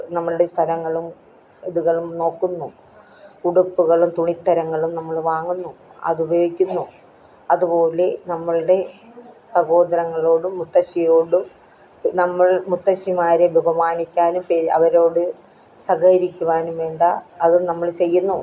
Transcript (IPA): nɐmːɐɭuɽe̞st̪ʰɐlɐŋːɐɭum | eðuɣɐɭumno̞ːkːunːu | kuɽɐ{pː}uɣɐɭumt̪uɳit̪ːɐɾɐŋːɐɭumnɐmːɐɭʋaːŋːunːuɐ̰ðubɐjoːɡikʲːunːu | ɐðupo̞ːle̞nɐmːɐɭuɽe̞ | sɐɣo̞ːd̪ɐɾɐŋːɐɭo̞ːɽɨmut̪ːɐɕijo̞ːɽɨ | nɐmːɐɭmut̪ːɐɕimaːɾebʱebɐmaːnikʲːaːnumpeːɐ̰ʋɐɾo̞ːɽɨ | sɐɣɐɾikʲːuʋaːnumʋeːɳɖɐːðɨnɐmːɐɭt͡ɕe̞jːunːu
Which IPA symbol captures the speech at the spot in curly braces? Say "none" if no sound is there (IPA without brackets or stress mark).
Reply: pː